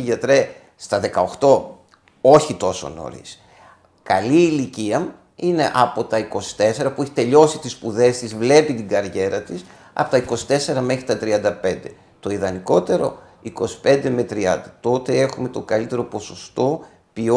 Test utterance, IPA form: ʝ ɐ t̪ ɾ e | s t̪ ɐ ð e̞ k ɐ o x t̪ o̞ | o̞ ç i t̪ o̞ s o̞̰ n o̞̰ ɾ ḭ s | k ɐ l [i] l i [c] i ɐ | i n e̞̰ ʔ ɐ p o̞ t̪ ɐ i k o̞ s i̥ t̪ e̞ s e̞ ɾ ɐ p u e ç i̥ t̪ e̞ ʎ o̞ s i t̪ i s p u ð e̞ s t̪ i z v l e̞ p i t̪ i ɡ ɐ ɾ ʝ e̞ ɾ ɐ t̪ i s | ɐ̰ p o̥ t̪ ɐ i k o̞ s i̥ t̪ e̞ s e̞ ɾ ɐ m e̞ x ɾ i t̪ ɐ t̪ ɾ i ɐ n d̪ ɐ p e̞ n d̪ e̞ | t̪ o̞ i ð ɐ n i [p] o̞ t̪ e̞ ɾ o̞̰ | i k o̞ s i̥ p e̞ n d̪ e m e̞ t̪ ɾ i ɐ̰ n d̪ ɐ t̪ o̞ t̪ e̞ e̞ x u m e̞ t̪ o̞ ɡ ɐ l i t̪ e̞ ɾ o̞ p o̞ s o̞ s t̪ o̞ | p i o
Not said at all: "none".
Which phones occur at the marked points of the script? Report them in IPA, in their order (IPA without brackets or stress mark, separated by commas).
iː, c, k